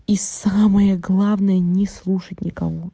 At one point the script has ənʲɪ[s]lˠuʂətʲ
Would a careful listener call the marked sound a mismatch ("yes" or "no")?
no